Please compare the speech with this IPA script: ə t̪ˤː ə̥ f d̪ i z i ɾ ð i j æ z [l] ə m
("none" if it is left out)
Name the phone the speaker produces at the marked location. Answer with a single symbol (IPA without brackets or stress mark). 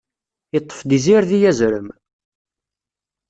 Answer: ɾ